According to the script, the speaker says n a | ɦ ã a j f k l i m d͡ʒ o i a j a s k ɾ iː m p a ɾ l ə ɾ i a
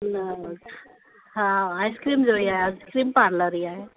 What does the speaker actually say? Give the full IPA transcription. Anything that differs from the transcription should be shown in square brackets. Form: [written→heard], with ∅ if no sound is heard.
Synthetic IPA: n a | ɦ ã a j [f→s] k [l→ɾ] i m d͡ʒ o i a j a s k ɾ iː m p a ɾ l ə ɾ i a